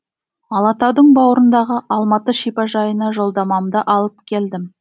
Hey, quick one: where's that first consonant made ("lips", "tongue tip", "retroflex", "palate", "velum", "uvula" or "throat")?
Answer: tongue tip